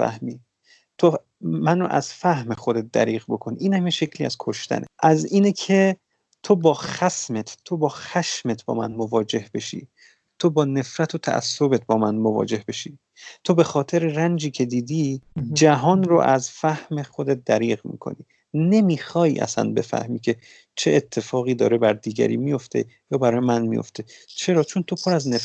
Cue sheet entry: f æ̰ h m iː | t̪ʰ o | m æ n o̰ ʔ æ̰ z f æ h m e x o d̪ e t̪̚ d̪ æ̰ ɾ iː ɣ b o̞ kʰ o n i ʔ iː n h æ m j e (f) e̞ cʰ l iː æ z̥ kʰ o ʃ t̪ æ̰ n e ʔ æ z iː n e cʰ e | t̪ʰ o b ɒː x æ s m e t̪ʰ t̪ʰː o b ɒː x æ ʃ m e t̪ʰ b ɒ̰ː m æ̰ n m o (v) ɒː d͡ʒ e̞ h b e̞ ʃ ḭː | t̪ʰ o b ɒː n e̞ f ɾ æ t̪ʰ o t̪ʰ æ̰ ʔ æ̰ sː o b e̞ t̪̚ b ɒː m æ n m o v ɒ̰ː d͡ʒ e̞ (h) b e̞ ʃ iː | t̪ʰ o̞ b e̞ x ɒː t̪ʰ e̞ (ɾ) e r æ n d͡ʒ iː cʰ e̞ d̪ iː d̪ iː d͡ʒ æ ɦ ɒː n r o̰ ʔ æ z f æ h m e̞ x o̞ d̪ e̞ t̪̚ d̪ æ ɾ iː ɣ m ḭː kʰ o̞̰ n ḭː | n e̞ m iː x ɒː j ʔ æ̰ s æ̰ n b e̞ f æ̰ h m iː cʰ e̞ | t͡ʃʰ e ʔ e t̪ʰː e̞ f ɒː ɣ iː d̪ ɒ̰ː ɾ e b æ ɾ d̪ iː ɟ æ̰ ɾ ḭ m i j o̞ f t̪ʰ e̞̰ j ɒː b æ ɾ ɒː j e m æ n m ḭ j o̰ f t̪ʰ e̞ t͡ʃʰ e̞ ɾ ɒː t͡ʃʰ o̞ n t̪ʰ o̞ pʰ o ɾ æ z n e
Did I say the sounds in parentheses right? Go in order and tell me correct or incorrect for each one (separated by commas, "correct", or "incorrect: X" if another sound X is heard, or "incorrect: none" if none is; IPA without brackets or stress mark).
incorrect: ʃ, correct, correct, correct